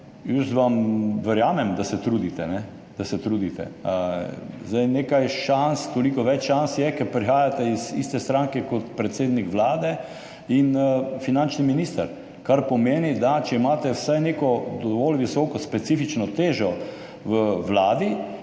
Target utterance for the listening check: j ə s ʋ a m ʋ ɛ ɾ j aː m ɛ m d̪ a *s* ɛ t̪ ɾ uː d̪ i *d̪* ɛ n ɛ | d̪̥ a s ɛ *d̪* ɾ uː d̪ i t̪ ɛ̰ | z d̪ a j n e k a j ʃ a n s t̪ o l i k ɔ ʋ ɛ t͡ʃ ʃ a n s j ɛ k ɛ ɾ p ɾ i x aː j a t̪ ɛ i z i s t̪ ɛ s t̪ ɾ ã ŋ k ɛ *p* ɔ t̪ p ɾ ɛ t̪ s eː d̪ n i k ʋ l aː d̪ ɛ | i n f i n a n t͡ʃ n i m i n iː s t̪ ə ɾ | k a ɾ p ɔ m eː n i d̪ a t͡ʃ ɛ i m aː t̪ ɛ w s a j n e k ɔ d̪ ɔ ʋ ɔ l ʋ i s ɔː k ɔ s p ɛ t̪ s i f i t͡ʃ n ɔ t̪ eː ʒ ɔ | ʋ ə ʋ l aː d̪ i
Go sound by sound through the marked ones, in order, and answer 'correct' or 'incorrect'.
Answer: correct, incorrect: t̪, incorrect: t̪, incorrect: k

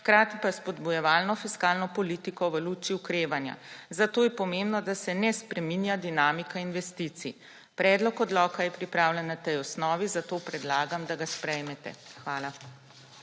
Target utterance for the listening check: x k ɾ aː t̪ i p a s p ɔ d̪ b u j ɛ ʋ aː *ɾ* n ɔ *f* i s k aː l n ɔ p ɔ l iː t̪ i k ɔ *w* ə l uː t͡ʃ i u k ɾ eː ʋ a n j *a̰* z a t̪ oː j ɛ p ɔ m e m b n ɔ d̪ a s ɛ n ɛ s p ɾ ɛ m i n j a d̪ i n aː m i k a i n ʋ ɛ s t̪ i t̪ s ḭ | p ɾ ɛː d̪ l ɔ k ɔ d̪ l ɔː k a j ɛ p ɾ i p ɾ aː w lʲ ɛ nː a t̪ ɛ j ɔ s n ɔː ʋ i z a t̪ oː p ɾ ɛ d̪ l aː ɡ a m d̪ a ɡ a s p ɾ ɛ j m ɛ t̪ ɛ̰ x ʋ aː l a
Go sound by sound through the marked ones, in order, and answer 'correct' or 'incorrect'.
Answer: incorrect: l, correct, incorrect: ʋ, correct

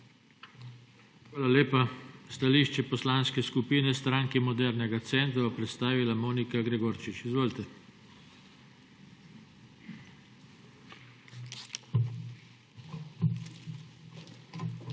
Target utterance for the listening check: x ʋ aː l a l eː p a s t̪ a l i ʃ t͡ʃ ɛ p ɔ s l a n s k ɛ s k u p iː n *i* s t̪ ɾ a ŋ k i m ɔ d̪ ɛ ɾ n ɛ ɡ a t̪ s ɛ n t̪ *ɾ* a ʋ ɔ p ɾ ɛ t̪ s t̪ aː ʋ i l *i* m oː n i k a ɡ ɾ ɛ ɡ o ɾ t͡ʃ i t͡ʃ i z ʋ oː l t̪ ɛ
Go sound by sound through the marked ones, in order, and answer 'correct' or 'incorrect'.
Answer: incorrect: ɛ, correct, incorrect: a

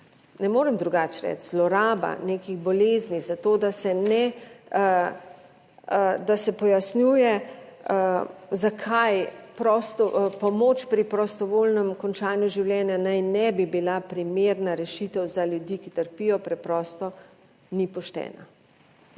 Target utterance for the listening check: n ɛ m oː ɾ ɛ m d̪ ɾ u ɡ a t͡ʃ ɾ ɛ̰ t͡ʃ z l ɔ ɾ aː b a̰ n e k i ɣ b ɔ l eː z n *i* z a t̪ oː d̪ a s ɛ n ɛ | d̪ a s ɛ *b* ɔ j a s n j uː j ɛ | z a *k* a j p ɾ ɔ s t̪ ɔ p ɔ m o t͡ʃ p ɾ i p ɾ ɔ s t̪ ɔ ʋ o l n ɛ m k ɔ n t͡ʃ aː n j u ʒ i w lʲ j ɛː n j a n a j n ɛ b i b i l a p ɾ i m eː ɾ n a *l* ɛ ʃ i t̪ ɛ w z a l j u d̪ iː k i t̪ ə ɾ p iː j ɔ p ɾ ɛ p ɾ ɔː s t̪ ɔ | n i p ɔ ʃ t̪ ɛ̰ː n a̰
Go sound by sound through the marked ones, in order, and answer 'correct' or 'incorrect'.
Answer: correct, incorrect: p, incorrect: kʰ, incorrect: ɾ

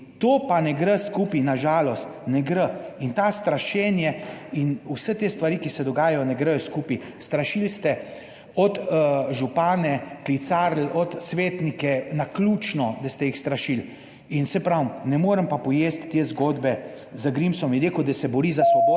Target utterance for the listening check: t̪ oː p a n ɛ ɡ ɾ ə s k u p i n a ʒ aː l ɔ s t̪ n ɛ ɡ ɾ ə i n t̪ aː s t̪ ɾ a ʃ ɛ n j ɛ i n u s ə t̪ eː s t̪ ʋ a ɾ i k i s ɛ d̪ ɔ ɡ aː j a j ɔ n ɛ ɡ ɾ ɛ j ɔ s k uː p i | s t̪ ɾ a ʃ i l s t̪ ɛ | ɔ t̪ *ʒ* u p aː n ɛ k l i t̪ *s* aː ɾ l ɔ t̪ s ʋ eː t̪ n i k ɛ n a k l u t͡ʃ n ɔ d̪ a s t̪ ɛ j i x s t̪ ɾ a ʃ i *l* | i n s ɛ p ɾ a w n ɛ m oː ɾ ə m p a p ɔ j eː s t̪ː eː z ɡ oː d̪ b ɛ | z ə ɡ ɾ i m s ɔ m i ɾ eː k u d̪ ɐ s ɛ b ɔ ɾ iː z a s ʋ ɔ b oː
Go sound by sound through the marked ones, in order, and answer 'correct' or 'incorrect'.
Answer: correct, correct, correct

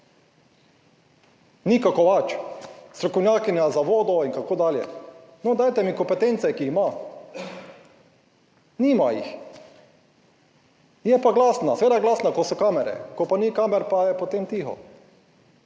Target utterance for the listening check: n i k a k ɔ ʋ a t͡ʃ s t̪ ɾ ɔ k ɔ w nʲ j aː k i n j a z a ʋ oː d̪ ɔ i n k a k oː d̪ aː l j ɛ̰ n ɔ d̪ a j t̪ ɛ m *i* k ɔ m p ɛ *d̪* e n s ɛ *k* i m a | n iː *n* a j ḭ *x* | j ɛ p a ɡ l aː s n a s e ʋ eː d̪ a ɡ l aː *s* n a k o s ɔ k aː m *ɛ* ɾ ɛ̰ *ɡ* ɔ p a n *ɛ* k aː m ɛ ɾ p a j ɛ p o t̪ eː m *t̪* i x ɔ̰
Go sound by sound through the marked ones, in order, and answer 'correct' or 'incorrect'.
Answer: correct, incorrect: t̪, correct, incorrect: m, correct, correct, correct, incorrect: k, incorrect: i, correct

